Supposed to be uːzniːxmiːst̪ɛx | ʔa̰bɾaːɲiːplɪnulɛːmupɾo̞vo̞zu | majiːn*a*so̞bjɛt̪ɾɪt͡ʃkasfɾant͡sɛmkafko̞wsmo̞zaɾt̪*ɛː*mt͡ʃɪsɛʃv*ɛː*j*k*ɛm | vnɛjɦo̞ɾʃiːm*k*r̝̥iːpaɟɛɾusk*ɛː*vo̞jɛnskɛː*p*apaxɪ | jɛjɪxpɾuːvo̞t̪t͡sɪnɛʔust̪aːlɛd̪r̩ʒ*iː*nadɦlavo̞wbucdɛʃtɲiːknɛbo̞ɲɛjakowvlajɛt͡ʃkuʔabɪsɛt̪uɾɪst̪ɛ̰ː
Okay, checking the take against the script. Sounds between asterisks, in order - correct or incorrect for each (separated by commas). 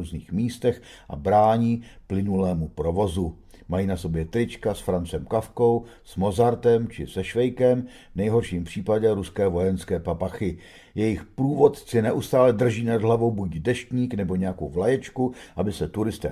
correct, incorrect, incorrect, correct, incorrect, correct, correct, correct